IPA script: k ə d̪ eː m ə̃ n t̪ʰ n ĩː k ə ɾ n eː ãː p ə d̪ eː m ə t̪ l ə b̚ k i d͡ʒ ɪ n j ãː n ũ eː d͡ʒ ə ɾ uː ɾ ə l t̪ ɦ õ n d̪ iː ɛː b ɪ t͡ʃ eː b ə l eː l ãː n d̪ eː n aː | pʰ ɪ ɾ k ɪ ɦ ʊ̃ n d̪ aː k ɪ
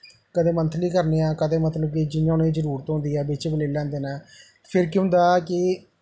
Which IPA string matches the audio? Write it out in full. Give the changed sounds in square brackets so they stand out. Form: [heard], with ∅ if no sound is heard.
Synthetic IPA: k ə d̪ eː m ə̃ n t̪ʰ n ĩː k ə ɾ n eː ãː [k] ə d̪ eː m ə t̪ l ə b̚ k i d͡ʒ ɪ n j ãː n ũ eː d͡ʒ ə ɾ uː ɾ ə [∅] t̪ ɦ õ n d̪ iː ɛː b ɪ t͡ʃ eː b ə l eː l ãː n d̪ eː n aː | pʰ ɪ ɾ k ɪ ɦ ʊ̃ n d̪ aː k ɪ